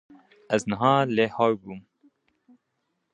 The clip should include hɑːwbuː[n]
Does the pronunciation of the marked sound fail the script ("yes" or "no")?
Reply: yes